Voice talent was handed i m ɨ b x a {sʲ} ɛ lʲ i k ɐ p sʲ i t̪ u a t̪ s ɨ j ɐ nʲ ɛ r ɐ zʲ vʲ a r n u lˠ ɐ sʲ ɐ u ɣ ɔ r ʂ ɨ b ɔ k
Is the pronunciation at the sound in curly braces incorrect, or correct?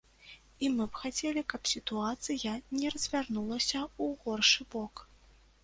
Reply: incorrect